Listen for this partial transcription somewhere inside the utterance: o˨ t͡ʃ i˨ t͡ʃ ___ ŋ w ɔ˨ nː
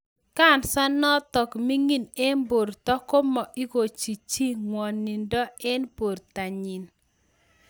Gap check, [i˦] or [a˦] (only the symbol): i˦